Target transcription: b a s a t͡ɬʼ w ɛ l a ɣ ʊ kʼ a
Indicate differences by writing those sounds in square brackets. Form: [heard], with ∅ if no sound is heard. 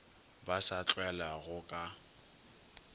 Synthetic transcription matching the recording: b a s a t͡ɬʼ w ɛ l a ɣ ʊ kʼ a